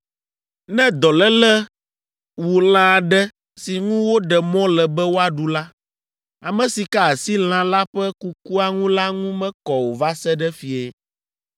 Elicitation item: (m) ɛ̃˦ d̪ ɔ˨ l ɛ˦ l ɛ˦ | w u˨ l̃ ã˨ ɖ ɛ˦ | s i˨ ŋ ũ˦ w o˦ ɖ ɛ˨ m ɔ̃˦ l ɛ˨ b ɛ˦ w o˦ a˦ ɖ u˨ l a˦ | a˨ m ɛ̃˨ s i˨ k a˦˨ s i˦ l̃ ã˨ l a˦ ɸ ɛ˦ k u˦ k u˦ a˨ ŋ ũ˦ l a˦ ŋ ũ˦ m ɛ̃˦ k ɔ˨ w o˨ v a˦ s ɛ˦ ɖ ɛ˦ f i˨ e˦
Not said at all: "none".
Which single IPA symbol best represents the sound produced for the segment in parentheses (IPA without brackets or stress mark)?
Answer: n